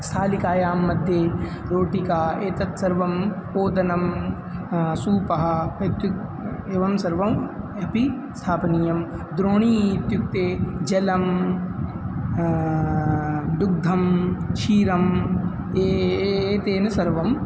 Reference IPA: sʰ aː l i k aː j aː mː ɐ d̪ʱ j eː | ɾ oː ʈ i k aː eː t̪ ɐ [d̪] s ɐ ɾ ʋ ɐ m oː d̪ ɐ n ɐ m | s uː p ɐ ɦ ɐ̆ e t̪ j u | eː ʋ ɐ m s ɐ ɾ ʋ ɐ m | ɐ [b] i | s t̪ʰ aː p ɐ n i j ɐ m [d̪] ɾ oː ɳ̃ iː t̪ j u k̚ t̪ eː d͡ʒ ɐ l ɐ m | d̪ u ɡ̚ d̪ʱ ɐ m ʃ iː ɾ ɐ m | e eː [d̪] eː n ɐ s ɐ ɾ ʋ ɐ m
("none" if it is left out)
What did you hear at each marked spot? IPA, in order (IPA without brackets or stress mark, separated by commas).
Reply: t̪, p, d̪, t̪